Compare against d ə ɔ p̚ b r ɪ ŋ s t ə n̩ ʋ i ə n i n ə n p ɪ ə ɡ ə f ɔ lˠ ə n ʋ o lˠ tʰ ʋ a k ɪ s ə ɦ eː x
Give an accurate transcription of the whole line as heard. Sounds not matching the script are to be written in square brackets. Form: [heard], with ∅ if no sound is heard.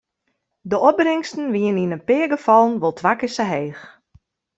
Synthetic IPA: d ə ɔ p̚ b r ɪ ŋ s t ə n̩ ʋ i ə n i n ə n p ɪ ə ɡ ə f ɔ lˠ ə n ʋ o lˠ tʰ ʋ a k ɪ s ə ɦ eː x